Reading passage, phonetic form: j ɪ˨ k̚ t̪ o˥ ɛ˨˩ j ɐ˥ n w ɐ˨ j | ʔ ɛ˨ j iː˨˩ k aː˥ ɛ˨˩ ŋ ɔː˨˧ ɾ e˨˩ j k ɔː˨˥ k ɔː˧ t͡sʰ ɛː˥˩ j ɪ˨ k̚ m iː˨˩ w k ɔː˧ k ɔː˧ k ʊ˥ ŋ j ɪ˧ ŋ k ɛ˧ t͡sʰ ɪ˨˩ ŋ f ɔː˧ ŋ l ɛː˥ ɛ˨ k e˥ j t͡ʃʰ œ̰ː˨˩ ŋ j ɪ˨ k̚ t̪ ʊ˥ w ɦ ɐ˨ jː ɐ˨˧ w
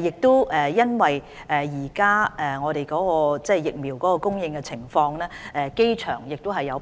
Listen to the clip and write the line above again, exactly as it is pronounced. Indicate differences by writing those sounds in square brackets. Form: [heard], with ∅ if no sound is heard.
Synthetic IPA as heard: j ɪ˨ k̚ t̪ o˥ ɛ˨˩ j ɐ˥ n w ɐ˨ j | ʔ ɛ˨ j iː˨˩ k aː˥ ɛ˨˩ ŋ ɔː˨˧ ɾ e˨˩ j k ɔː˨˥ k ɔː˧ [t͡s] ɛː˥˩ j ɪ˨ k̚ m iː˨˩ w k [ɔː˨˥] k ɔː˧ k ʊ˥ ŋ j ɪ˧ ŋ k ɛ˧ t͡sʰ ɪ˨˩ ŋ f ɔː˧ ŋ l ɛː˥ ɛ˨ k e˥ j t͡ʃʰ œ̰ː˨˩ ŋ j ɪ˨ k̚ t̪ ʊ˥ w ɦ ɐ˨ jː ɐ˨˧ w

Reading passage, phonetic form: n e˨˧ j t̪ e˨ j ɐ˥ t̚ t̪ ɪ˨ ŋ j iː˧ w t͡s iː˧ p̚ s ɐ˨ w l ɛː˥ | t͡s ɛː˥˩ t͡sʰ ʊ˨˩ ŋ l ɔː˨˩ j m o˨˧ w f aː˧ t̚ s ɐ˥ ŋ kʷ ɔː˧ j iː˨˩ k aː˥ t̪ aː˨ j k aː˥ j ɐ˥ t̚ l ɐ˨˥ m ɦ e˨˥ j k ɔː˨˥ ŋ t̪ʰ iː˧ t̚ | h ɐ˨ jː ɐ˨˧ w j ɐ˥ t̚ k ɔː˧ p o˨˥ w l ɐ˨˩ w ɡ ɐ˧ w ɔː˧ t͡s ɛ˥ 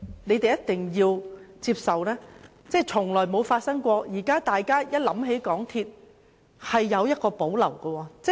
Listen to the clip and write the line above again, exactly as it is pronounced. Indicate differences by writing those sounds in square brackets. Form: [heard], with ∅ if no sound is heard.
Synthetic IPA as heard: n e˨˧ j t̪ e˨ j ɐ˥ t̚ t̪ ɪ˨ ŋ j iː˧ w t͡s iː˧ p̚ s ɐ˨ w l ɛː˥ | t͡s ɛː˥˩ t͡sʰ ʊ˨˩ ŋ l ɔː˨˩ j m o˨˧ w f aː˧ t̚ s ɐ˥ ŋ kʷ ɔː˧ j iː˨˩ k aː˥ t̪ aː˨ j k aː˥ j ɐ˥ t̚ l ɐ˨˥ m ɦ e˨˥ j k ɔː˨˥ ŋ t̪ʰ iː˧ t̚ | h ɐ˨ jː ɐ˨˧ w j ɐ˥ t̚ k ɔː˧ p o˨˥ w l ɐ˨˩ w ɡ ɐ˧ w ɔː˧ t͡s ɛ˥

